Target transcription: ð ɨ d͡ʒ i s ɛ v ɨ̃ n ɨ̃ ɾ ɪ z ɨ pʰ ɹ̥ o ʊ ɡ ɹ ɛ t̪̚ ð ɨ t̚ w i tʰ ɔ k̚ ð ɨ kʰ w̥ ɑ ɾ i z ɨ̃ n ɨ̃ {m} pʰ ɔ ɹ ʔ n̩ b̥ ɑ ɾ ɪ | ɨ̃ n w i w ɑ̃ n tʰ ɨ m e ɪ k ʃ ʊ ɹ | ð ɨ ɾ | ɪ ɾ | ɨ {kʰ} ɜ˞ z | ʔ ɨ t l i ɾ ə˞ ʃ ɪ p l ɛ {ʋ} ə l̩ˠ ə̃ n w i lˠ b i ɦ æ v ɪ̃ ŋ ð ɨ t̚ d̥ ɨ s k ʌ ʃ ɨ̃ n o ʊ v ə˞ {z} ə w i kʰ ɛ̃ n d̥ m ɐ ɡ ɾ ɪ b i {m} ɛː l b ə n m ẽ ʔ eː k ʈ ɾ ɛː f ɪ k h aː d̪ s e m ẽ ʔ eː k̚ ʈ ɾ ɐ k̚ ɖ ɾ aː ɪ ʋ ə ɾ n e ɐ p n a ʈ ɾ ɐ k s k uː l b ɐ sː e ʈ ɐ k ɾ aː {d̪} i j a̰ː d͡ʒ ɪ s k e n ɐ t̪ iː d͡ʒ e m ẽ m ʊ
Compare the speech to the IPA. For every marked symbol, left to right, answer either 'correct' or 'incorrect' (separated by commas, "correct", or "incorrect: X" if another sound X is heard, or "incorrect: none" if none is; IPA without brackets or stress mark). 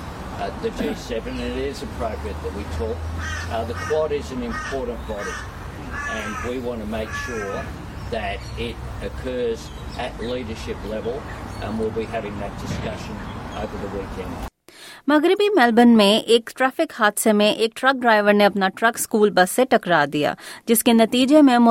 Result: correct, correct, incorrect: v, incorrect: ð, correct, correct